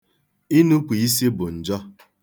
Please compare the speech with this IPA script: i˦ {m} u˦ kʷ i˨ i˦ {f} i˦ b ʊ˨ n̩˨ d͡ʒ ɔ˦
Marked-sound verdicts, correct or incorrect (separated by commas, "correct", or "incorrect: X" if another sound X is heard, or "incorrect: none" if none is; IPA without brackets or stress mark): incorrect: n, incorrect: s